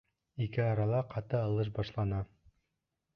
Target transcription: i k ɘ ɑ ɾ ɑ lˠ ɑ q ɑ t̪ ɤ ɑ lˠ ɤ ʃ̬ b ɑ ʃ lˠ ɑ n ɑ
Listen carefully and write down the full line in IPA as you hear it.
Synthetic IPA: i k ɘ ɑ ɾ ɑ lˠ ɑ q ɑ t̪ ɤ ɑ lˠ ɤ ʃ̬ b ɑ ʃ lˠ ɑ n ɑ